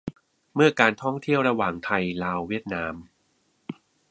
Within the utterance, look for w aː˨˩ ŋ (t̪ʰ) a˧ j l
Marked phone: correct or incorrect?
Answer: correct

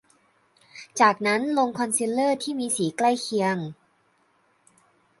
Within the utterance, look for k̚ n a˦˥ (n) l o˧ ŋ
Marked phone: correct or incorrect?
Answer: correct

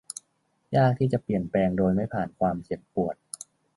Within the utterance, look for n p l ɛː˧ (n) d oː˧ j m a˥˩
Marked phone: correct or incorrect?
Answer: incorrect: ŋ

